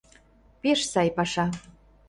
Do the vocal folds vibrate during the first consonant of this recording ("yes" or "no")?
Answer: no